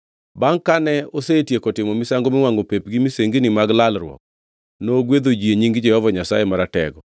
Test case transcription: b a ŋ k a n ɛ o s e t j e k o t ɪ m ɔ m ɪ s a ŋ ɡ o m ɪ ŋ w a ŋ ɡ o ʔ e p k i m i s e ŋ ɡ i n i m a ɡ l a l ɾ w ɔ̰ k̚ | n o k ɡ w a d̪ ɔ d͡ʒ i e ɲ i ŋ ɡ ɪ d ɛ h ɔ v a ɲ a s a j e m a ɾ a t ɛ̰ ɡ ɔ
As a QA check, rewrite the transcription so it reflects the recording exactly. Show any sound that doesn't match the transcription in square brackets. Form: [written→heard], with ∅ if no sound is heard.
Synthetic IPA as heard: b a ŋ k a n ɛ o s e t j e k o t ɪ m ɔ m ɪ s a ŋ ɡ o m ɪ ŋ w a ŋ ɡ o [ʔ→p] e p [k→ɡ] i m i s e ŋ ɡ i n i m a ɡ l a l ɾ w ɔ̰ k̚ | n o [k→∅] ɡ w [a→e] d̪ [ɔ→o] d͡ʒ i e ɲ i ŋ ɡ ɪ [d→d͡ʒ] ɛ h ɔ v a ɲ a s a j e m a ɾ a t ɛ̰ ɡ ɔ